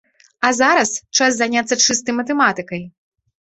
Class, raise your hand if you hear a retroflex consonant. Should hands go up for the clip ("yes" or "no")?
yes